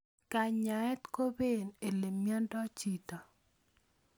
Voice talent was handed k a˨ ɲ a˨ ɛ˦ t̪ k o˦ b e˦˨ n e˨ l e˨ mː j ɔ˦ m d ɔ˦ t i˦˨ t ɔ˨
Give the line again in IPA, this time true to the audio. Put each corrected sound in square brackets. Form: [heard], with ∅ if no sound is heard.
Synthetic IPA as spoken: k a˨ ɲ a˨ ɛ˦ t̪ k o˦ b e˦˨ n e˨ l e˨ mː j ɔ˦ [n] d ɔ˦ [t͡ʃ] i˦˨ t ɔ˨